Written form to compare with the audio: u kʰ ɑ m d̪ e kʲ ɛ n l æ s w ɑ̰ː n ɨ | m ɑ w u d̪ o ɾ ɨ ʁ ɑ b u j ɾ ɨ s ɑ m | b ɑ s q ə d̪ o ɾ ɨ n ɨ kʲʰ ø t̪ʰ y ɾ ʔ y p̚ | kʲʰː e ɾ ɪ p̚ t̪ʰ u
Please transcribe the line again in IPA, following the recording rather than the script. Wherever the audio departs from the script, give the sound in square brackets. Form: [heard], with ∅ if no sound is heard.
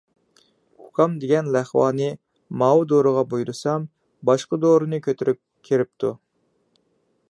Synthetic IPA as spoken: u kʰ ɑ m d̪ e [ɡʲ] ɛ n l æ [χ] w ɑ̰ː n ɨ | m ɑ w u d̪ o ɾ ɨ ʁ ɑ b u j ɾ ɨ s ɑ m | b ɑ [ʃ] q ə d̪ o ɾ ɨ n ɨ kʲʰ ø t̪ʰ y ɾ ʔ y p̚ | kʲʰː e ɾ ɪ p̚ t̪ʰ u

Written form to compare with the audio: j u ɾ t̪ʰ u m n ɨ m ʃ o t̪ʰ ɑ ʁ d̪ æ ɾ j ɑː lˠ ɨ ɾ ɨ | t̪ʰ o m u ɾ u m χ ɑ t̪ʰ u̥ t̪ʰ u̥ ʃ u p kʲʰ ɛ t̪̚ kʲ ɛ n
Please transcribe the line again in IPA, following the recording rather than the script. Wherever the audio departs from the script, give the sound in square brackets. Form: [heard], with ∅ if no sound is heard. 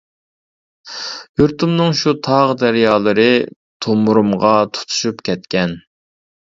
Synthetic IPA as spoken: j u ɾ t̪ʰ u m n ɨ [ŋ] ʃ [u] t̪ʰ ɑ ʁ d̪ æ ɾ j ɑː lˠ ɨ ɾ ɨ | t̪ʰ o m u ɾ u m [ʁ] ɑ t̪ʰ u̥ t̪ʰ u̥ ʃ u p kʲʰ ɛ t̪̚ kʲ ɛ n

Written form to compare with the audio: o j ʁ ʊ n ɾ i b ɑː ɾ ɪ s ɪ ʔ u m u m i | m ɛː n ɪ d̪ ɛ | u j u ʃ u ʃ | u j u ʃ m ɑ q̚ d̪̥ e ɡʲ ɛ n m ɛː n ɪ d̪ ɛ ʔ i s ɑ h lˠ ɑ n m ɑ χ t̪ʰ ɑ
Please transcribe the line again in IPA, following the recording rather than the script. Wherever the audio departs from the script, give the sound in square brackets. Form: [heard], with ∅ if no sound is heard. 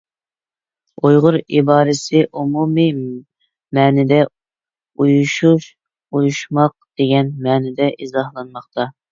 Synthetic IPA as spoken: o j ʁ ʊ [∅] ɾ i b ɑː ɾ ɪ s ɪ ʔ u m u m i | m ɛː n ɪ d̪ ɛ | u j u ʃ u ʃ | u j u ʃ m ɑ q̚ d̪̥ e ɡʲ ɛ n m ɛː n ɪ d̪ ɛ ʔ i [z] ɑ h lˠ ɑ n m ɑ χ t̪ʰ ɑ

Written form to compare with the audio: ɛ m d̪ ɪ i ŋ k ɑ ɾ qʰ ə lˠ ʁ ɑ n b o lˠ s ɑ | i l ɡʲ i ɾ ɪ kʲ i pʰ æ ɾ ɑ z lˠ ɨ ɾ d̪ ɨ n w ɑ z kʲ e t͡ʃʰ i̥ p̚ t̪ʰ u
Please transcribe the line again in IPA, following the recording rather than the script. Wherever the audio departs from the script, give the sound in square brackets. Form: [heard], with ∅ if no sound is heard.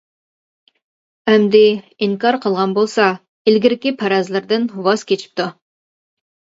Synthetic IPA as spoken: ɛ m d̪ ɪ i ŋ k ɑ ɾ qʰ ə lˠ ʁ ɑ n b o lˠ s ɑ | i l ɡʲ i ɾ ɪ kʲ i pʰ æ ɾ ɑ z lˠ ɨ ɾ d̪ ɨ n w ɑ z kʲ e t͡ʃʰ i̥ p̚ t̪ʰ u

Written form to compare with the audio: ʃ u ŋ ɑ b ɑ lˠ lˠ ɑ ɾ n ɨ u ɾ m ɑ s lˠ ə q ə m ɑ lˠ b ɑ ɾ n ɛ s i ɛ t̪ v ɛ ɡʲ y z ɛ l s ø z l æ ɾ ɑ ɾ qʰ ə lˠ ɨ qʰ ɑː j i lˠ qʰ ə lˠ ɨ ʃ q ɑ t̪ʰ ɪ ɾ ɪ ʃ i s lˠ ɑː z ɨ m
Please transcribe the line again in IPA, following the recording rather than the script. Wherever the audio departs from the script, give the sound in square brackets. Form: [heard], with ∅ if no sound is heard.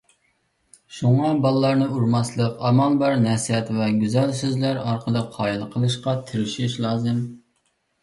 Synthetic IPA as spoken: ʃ u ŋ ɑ b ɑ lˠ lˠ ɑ ɾ n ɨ u ɾ m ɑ s lˠ ə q [ɑ] m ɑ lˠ b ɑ ɾ n ɛ s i ɛ t̪ v ɛ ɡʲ y z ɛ l s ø z l æ ɾ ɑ ɾ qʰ ə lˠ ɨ qʰ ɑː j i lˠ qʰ ə lˠ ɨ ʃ q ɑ t̪ʰ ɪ ɾ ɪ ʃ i [ʃ] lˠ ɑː z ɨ m

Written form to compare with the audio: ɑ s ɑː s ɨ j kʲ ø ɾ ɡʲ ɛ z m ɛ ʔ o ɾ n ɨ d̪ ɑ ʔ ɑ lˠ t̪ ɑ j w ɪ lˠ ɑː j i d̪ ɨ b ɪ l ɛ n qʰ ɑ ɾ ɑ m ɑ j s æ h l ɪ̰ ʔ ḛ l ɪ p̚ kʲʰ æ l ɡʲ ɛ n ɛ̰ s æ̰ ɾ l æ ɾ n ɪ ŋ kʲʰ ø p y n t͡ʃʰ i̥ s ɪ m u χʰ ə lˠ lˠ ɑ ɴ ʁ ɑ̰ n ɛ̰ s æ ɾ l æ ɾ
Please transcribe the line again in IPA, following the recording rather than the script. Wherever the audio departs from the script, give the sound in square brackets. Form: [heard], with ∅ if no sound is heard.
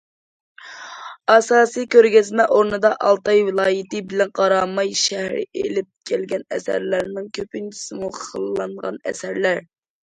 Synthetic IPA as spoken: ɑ s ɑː s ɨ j kʲ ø ɾ ɡʲ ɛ z m ɛ ʔ o ɾ n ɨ d̪ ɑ ʔ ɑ lˠ t̪ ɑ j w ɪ lˠ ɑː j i [t̪] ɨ b ɪ l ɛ n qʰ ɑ ɾ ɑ m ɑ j [ʃ] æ h [ɾ] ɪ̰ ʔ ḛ l ɪ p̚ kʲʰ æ l ɡʲ ɛ n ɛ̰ s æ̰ ɾ l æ ɾ n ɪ ŋ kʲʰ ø p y n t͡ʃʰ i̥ s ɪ m u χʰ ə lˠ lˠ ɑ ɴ ʁ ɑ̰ n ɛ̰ s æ ɾ l æ ɾ

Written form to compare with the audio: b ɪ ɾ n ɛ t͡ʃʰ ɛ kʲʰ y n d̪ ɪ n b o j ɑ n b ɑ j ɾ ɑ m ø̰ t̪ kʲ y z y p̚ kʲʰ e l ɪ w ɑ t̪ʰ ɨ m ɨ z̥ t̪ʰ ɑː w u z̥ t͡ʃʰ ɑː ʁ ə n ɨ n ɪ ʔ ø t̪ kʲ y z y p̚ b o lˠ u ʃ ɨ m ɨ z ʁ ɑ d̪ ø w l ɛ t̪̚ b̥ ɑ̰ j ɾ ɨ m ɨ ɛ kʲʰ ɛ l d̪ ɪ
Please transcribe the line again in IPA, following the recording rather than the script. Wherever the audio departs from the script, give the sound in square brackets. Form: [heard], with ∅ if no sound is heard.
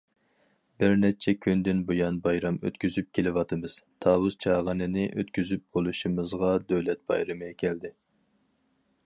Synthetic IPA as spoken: b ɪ ɾ n ɛ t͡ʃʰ ɛ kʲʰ y n d̪ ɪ n b o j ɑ n b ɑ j ɾ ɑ m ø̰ t̪ kʲ y z y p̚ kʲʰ e l ɪ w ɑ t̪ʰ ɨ m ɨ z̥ t̪ʰ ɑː w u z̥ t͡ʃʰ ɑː ʁ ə n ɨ n ɪ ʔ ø t̪ kʲ y z y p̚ b o lˠ u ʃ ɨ m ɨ z ʁ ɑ d̪ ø w l ɛ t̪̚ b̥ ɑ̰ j ɾ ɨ m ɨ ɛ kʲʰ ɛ l d̪ ɪ

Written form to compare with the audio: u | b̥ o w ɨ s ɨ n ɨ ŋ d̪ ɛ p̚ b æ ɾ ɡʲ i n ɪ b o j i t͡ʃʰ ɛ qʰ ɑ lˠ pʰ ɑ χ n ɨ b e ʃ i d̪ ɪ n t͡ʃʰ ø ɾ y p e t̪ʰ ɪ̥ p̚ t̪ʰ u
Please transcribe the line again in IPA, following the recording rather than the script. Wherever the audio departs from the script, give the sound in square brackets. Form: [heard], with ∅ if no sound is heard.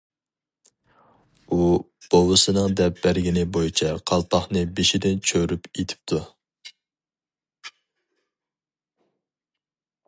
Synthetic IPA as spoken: u | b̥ o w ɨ s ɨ n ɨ ŋ d̪ ɛ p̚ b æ ɾ ɡʲ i n ɪ b o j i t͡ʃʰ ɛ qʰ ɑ lˠ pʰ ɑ χ n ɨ b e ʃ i d̪ ɪ n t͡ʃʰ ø ɾ y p e t̪ʰ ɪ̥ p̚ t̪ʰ u

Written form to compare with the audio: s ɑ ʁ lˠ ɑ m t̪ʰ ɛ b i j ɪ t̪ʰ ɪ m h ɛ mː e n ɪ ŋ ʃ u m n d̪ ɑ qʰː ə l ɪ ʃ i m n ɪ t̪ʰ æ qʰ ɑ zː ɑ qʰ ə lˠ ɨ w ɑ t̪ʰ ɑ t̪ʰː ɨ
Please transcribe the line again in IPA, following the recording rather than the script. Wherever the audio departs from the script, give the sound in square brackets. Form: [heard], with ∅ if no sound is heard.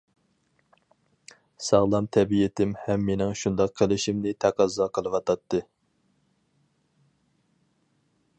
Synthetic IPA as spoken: s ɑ ʁ lˠ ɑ m t̪ʰ ɛ b i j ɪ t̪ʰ ɪ m h ɛ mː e n ɪ ŋ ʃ u [∅] n d̪ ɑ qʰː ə l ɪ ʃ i m n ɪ t̪ʰ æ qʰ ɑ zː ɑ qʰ ə lˠ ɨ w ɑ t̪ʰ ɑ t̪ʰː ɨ

